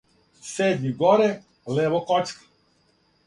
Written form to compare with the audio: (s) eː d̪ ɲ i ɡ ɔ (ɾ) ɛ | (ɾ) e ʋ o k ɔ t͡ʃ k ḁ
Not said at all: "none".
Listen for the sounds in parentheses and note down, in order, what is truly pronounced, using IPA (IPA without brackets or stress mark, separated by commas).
s, ɾ, l